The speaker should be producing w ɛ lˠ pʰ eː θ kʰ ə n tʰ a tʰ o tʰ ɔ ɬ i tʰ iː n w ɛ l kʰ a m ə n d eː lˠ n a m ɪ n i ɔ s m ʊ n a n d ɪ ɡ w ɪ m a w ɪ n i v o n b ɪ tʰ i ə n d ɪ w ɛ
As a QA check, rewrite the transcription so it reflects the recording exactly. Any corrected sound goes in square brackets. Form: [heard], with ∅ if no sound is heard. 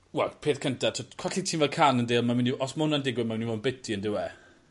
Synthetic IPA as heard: w ɛ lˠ pʰ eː θ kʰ ə n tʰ a tʰ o [kʰ] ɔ ɬ i tʰ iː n [v] ɛ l kʰ a [n] ə n d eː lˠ [m] a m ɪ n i ɔ s m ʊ n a n d ɪ ɡ w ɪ m a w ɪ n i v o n b ɪ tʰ i ə n d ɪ w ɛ